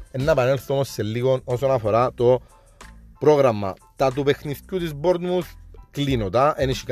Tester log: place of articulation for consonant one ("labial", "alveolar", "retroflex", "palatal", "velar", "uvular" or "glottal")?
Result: alveolar